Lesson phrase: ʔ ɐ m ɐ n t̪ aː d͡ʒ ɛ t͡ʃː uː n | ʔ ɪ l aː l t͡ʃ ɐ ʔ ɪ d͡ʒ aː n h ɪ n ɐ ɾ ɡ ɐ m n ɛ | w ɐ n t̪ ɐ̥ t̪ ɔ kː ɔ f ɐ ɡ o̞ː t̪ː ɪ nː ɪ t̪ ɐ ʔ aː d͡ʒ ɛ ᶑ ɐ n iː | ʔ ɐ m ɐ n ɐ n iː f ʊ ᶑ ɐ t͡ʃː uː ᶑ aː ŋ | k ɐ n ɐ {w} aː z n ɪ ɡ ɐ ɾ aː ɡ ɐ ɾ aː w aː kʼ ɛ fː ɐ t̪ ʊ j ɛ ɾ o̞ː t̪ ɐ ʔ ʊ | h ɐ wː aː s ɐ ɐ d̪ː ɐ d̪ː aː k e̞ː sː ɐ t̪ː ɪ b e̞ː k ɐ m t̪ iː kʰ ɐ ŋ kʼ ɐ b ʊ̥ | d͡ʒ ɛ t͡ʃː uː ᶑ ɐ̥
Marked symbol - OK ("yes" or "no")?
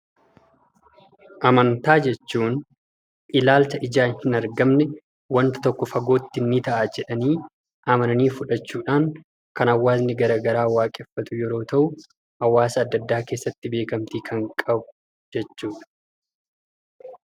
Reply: no